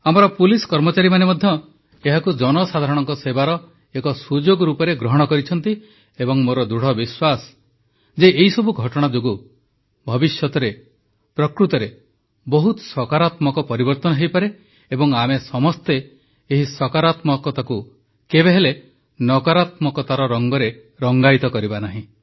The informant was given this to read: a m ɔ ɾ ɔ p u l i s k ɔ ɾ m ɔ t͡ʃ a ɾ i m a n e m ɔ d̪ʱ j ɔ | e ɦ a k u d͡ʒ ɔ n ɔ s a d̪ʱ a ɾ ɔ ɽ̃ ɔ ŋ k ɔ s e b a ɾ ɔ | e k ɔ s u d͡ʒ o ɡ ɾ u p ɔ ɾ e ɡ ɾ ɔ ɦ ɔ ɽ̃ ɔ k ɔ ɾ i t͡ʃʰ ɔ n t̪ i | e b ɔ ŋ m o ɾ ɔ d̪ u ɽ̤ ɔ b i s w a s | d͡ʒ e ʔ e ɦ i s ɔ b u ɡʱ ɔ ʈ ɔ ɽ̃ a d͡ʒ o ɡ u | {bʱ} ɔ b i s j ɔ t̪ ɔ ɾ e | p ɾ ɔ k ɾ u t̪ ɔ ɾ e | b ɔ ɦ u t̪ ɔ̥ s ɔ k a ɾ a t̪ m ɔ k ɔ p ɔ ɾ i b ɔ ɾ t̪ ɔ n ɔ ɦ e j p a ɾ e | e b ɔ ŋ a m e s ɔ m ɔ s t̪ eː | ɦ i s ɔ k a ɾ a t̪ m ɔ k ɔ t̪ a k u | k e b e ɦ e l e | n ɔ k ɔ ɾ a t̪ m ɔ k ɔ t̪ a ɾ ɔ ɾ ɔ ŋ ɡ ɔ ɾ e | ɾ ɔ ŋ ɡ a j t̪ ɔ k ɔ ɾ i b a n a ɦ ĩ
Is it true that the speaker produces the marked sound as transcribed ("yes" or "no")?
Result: yes